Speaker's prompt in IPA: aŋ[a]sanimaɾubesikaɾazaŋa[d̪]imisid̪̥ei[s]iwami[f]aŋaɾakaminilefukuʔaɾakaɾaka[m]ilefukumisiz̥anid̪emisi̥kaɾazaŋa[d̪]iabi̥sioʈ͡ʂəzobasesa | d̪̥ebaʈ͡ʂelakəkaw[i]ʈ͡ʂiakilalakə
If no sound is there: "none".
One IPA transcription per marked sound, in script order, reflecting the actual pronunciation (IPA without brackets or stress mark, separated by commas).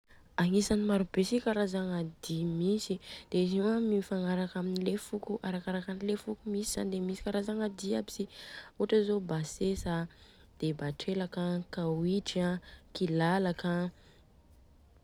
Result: i, d̪, z, f, n, d̪, i